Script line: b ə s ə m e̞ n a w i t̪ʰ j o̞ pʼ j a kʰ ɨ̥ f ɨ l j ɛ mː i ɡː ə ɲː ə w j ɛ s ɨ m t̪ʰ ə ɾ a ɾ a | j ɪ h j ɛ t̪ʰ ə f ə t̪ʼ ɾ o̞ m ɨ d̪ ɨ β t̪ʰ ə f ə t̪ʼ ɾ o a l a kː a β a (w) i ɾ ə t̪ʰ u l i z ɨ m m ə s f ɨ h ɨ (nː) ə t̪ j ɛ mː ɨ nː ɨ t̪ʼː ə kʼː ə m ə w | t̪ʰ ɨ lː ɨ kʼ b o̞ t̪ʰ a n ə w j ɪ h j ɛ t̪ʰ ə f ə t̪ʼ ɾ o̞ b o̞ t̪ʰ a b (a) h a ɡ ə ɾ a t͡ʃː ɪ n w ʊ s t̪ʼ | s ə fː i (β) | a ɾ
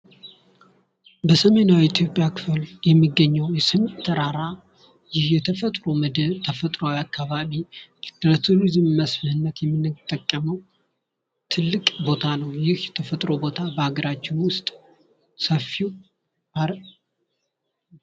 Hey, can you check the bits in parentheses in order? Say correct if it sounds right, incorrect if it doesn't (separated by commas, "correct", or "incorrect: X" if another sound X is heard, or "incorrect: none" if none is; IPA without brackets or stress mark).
incorrect: β, correct, incorrect: ə, incorrect: w